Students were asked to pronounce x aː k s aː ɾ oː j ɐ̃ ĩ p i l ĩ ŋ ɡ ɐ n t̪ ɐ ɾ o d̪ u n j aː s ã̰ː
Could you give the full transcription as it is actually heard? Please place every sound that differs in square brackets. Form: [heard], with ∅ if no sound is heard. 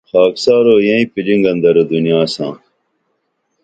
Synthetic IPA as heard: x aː k s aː ɾ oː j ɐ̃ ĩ p i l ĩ ŋ ɡ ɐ n [d̪] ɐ ɾ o d̪ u n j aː s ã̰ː